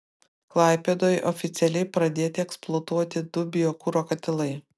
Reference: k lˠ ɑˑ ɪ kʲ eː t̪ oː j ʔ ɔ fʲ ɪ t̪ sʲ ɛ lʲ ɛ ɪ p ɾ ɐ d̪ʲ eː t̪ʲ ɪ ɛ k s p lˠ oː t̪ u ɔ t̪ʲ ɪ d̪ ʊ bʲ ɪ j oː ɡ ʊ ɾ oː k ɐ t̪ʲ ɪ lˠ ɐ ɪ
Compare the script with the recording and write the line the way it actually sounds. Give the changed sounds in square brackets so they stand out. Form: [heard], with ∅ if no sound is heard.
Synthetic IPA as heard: k lˠ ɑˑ ɪ [pʲ] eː [d̪] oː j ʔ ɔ fʲ ɪ t̪ sʲ ɛ lʲ ɛ ɪ p ɾ ɐ d̪ʲ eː t̪ʲ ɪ ɛ k s p lˠ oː t̪ u ɔ t̪ʲ ɪ d̪ ʊ bʲ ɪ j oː [k] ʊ ɾ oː k ɐ t̪ʲ ɪ lˠ ɐ ɪ